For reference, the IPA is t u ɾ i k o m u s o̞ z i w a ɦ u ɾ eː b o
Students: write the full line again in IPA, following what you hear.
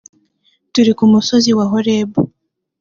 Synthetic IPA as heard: t u ɾ i k u m u s o̞ z i w a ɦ o ɾ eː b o